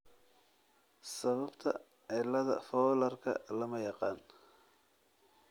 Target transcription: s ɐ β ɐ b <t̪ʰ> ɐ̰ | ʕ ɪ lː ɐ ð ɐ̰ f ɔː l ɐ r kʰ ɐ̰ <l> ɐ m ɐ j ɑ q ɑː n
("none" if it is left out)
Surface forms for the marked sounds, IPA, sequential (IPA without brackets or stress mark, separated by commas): t̪ʰ, l